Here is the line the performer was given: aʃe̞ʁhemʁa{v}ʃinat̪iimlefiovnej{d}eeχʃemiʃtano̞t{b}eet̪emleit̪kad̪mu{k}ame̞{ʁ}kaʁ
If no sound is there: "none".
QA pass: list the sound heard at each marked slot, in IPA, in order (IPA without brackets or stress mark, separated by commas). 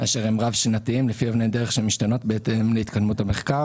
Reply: v, d, b, t, χ